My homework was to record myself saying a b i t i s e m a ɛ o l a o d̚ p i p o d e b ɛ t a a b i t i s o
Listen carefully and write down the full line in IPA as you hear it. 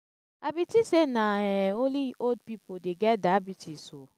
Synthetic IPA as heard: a b i t i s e n a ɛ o l i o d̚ p i p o d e ɡ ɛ d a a b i t i s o

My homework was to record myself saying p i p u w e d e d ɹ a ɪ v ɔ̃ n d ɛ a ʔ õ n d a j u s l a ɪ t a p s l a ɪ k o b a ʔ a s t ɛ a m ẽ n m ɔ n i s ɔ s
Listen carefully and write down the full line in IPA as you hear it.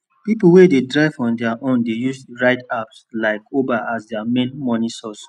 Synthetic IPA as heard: p i p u w e d e d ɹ a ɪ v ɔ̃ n d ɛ a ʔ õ n d e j u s ɹ a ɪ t a p s l a ɪ k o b a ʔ a s d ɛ a m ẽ n m ɔ n i s ɔ s

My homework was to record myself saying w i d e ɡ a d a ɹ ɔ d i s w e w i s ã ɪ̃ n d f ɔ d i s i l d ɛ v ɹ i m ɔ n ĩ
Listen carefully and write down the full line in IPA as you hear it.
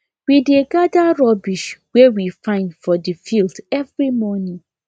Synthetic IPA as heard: w i d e ɡ a d a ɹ ɔ b i ʃ w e w i f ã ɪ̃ n d f ɔ d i f i l d ɛ v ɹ i m ɔ n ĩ

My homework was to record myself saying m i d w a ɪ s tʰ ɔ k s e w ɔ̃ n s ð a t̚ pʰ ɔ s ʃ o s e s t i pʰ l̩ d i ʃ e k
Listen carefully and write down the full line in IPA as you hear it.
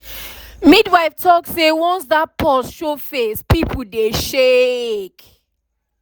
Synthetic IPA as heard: m i d w a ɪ f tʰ ɔ k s e w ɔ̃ n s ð a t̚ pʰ ɔ s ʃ o f e s p i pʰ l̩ d e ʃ e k

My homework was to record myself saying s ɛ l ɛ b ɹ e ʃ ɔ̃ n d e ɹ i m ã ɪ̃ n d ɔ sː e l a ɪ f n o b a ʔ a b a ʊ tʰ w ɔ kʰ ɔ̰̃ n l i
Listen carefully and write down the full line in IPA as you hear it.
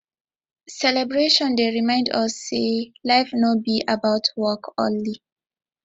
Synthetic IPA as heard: s ɛ l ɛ b ɹ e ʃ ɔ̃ n d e ɹ i m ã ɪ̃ n d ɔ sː e l a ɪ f n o b i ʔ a b a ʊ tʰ w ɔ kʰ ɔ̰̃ n l i

